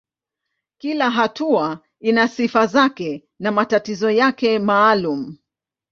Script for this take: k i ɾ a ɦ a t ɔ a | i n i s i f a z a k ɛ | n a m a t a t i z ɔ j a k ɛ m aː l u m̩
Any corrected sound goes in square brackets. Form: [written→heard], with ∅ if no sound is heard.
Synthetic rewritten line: k i [ɾ→l] a ɦ a t [ɔ→u] a | i n [i→a] s i f a z a k ɛ | n a m a t a t i z ɔ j a k ɛ m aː l u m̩